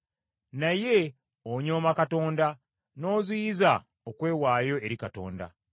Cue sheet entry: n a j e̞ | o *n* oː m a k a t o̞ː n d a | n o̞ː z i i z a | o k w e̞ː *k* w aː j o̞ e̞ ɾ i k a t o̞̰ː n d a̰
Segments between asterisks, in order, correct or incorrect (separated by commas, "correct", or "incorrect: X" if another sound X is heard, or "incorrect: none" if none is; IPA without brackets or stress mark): incorrect: ɲ, incorrect: none